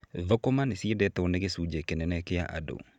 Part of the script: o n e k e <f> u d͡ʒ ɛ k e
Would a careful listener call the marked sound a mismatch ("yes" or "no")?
yes